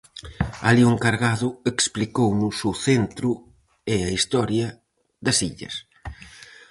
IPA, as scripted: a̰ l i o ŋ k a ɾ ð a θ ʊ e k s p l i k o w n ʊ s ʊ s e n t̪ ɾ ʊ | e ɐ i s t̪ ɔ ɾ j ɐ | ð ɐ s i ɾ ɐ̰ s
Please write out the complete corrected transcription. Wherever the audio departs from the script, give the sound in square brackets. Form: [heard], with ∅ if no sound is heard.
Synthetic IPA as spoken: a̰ l i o ŋ k a ɾ [ɣ] a [ð] ʊ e k s p l i k o w n ʊ s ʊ [θ] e n t̪ ɾ ʊ | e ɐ i s t̪ ɔ ɾ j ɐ | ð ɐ s i [ʎ] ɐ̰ s